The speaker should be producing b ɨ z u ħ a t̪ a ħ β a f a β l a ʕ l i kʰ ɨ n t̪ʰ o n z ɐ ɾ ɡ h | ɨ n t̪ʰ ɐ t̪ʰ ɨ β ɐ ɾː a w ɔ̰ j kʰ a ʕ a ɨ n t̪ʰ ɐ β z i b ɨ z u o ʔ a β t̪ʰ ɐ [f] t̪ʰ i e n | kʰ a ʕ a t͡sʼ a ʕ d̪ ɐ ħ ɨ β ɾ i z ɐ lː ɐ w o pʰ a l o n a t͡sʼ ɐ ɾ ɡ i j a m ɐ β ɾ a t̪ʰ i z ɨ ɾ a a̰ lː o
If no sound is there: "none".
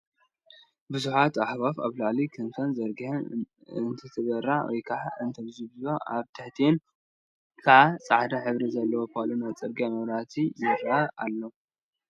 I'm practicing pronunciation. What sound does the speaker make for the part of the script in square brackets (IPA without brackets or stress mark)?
ħ